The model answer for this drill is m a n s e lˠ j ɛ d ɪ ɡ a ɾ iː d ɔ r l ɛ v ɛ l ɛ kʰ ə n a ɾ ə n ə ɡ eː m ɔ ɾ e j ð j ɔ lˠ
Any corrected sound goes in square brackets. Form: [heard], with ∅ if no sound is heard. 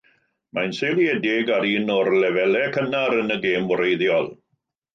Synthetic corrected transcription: m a n s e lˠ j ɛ d ɪ ɡ a ɾ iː [n] ɔ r l ɛ v ɛ l ɛ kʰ ə n a ɾ ə n ə ɡ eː m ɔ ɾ e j ð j ɔ lˠ